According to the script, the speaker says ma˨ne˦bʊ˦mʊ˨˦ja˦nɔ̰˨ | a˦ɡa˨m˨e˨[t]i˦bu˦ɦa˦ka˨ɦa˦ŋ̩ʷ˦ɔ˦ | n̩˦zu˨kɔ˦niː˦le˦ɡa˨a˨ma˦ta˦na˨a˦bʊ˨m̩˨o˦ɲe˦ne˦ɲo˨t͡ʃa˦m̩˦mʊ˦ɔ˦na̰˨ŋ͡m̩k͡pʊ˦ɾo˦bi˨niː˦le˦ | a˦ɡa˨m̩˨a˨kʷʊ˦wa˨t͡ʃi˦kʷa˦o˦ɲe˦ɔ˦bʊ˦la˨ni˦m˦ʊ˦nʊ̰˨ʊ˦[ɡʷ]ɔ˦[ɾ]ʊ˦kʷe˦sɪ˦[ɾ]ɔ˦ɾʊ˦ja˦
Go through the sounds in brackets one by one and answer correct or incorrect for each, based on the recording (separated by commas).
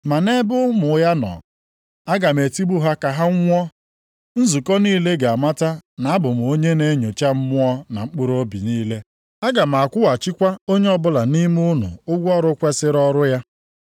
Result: correct, correct, correct, correct